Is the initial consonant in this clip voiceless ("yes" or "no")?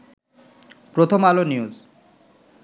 yes